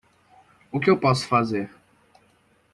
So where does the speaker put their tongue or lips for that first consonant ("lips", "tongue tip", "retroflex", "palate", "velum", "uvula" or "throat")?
velum